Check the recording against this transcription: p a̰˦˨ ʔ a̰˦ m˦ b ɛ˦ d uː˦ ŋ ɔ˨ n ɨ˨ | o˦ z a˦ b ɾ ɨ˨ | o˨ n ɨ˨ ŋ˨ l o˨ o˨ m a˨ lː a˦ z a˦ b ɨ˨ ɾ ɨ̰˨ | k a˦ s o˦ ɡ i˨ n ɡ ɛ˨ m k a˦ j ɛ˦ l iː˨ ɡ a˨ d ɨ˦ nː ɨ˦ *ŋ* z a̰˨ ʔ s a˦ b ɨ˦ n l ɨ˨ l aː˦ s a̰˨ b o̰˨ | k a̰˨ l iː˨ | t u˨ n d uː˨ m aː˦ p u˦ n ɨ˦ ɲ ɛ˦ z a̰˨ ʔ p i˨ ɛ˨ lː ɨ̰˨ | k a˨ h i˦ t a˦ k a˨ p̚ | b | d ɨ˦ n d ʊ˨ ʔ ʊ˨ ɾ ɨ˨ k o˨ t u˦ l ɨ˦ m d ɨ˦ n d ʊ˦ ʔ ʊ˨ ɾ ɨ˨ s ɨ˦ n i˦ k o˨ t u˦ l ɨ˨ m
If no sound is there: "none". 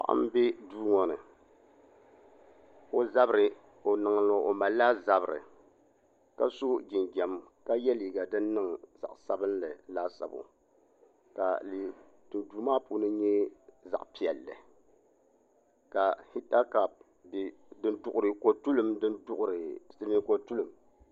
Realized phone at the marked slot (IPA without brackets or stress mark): ŋ